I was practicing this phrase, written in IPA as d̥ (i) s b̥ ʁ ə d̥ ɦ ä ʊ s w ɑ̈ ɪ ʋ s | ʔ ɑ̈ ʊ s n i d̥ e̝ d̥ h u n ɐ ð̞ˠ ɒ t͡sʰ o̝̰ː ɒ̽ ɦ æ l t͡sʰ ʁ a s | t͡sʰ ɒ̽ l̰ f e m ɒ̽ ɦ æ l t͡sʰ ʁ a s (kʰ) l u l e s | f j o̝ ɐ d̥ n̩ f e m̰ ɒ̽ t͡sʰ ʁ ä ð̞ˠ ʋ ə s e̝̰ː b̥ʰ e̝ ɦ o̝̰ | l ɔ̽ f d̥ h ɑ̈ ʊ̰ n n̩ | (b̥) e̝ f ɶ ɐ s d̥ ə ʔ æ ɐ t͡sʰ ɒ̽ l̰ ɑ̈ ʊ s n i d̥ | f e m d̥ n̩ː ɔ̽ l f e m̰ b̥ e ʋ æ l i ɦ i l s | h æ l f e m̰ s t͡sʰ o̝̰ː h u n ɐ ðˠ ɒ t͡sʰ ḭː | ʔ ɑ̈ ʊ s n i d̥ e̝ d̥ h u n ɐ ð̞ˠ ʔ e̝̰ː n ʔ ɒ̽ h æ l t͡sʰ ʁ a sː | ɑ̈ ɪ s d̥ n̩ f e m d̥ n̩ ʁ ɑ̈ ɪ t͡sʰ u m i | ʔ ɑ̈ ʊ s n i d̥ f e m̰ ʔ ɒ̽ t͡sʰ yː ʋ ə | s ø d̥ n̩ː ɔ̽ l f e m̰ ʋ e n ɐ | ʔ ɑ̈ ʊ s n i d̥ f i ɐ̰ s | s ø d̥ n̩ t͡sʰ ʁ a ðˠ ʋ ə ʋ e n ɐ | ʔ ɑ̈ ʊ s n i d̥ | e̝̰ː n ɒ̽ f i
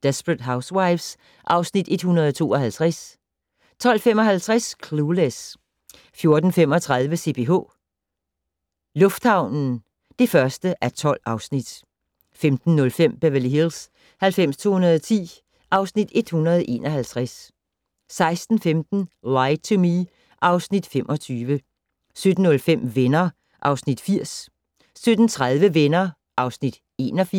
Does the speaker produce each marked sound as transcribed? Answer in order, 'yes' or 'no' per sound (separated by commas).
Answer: no, yes, no